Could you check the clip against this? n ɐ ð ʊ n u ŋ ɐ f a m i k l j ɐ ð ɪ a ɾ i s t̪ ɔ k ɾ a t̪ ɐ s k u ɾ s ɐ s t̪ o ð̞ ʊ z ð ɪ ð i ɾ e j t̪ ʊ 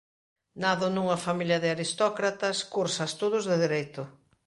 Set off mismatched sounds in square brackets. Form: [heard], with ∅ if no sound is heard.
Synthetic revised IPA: n [a] ð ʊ n u ŋ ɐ f a m i [∅] l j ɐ ð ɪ a ɾ i s t̪ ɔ k ɾ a t̪ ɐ s k u ɾ s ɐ s t̪ o ð̞ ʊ z ð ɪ ð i ɾ e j t̪ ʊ